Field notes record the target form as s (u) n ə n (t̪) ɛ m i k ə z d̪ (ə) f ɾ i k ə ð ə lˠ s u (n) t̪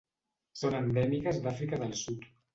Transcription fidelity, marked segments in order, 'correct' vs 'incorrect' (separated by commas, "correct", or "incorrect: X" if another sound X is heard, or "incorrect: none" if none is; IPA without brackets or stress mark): incorrect: o, incorrect: d̪, incorrect: a, incorrect: none